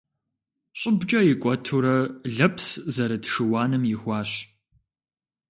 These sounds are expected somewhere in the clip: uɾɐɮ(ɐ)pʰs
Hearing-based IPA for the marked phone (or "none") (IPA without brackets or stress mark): ɐ